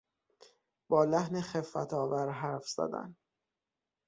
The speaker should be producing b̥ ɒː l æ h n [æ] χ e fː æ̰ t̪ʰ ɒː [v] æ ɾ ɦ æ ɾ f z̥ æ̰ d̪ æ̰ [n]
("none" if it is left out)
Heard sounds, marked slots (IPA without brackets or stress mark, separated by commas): e, v, n